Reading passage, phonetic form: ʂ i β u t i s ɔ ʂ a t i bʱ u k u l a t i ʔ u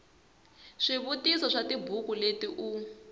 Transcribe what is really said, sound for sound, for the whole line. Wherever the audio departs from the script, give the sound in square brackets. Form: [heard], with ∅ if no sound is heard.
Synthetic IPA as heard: ʂ i β u t i s ɔ ʂ a t i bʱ u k u l [e] t i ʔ u